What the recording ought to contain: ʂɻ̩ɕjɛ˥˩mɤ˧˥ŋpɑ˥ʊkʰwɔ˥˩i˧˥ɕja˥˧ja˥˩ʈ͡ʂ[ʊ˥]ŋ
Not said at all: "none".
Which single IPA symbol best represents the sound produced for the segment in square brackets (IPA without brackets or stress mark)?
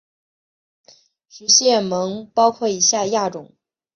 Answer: ʊ˨˩˦